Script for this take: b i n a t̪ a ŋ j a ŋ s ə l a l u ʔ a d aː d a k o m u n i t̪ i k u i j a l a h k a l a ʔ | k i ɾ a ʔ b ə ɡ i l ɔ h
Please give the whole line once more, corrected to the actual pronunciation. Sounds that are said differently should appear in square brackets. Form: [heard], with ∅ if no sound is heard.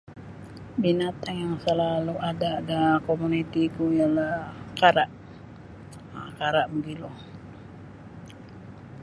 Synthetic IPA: b i n a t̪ a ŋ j a ŋ s ə l a l u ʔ a d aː d a k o m u n i t̪ i k u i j a l a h k a [ɾ] a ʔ | k [a] ɾ a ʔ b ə ɡ i l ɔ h

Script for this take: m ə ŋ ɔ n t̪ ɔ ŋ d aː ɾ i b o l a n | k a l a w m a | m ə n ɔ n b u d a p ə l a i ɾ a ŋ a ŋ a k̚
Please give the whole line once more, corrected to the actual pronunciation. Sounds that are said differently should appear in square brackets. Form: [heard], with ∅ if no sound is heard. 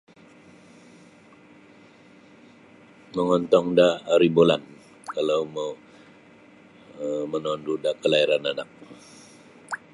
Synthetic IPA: m ə ŋ ɔ n t̪ ɔ ŋ d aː ɾ i b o l a n | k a l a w m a | m ə n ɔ n [d] u d a [k] ə l a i ɾ a [n] a [n] a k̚

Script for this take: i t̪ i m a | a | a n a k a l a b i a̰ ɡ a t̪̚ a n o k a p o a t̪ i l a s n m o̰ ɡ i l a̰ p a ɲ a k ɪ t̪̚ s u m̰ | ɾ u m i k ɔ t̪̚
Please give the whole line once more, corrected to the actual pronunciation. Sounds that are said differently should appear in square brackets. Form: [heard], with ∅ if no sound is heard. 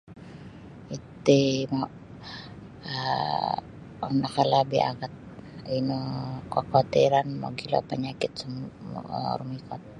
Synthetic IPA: i t̪ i m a | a | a n a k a l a b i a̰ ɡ a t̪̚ [i] n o k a [k] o a t̪ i [ɾ] a [∅] n m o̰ ɡ i l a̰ p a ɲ a k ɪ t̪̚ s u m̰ | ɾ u m i k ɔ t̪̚

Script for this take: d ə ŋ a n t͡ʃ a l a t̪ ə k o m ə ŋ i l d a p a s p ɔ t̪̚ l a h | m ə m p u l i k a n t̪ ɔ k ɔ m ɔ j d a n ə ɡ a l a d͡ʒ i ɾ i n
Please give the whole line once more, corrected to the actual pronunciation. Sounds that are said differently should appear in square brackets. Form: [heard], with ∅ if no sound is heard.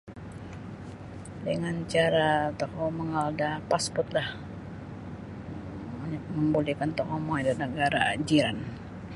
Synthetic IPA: d ə ŋ a n t͡ʃ a [ɾ] a t̪ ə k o m ə ŋ [a] l d a p a s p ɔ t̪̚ l a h | m ə m [b] u l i k a n t̪ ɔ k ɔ m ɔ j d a n ə ɡ a [ɾ] a d͡ʒ i ɾ [a] n

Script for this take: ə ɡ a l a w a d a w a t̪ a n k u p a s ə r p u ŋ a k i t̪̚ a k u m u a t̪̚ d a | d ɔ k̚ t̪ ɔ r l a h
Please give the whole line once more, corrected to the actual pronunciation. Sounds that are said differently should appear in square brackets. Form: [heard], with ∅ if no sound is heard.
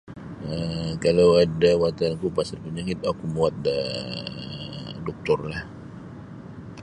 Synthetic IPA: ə [k] a l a w a d a w a t̪ a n k u p a s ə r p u [ɲ] a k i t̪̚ a k u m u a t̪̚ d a | d ɔ k̚ t̪ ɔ r l a h

